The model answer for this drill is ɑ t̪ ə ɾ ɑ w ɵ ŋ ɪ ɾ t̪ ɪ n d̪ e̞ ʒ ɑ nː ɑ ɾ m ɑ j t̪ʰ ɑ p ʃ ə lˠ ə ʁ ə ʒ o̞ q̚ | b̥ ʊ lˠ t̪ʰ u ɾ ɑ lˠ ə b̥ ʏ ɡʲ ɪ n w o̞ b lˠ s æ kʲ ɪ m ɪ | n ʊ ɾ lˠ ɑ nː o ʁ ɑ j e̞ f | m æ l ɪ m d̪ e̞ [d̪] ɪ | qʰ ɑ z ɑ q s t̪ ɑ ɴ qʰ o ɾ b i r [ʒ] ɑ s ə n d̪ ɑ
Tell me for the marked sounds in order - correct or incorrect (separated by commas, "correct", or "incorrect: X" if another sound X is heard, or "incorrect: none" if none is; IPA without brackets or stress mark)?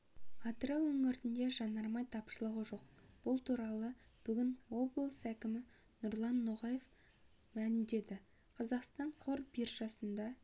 correct, correct